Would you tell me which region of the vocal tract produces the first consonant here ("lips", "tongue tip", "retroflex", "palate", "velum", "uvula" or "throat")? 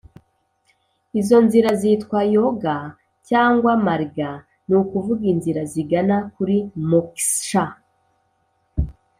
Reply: tongue tip